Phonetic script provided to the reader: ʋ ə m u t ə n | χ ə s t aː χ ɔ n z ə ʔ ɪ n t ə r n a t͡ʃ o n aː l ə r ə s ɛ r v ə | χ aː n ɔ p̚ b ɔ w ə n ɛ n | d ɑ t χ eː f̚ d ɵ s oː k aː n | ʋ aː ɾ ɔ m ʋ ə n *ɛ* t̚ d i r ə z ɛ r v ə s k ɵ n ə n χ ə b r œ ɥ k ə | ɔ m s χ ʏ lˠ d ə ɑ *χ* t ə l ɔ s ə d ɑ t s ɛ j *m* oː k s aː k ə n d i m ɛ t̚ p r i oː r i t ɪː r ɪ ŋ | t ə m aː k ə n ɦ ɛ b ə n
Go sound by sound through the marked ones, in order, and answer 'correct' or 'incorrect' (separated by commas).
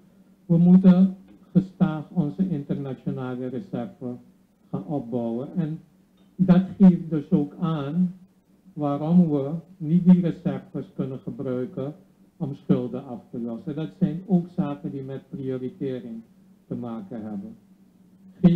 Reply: incorrect, incorrect, incorrect